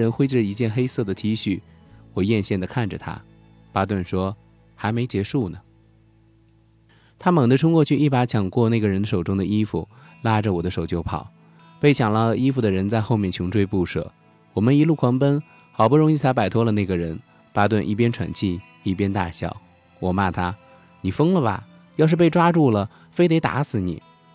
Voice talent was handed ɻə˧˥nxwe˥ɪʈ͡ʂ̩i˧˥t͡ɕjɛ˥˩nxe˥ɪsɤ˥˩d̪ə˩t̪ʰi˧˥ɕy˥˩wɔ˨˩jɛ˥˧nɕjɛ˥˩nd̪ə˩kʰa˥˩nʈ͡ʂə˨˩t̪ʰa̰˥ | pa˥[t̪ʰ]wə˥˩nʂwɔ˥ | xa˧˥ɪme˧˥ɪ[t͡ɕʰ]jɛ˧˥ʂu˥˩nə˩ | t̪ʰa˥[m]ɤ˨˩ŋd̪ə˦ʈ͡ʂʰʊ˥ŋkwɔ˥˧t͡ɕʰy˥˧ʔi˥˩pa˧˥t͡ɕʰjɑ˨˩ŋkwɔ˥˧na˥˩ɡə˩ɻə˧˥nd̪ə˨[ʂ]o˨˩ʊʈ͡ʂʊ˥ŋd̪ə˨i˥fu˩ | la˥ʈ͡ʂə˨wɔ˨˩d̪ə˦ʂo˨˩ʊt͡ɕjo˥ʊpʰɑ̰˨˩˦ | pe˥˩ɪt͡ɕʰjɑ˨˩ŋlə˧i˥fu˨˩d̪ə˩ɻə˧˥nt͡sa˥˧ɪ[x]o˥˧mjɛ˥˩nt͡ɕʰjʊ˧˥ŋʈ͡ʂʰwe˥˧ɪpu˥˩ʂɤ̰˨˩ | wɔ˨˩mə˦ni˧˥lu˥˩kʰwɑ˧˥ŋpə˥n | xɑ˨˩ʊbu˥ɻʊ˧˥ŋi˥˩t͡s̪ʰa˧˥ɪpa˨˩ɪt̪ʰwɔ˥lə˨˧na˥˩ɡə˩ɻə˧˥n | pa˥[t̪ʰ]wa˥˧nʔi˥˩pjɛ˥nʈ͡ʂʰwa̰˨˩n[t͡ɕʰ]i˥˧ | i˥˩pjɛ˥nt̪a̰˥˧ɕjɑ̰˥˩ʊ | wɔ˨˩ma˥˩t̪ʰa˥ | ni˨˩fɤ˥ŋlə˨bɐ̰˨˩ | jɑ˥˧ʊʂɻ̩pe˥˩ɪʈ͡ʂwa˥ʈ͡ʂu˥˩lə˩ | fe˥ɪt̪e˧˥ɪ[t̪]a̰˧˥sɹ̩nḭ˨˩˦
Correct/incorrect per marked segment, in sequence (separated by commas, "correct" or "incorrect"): incorrect, incorrect, correct, correct, correct, incorrect, correct, correct